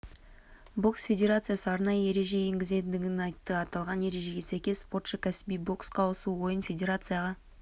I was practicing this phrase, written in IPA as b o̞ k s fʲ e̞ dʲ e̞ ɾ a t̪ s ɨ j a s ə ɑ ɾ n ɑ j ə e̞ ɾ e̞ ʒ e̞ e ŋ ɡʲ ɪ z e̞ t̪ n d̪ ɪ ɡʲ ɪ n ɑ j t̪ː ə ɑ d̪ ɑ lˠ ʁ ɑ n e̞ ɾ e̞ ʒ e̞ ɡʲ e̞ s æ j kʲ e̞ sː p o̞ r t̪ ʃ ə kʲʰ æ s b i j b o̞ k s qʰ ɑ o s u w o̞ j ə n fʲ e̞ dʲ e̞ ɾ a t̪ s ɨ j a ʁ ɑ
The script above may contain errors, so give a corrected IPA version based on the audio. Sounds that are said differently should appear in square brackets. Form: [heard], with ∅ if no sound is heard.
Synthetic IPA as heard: b o̞ k s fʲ e̞ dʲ e̞ ɾ a t̪ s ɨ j a s ə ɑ ɾ n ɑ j ə e̞ ɾ e̞ ʒ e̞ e ŋ ɡʲ ɪ z e̞ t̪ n d̪ ɪ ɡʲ ɪ n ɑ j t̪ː ə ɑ [t̪] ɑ lˠ ʁ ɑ n e̞ ɾ e̞ ʒ e̞ ɡʲ e̞ s æ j kʲ e̞ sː p o̞ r t̪ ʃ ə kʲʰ æ s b i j b o̞ k s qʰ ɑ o s u w o̞ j ə n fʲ e̞ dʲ e̞ ɾ a t̪ s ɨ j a ʁ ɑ